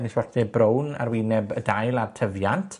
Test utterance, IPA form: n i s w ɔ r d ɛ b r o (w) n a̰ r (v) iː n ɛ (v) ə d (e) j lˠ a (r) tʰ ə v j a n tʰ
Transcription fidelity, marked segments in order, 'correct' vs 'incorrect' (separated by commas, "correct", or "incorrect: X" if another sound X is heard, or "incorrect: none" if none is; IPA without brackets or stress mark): correct, incorrect: w, incorrect: b, incorrect: a, correct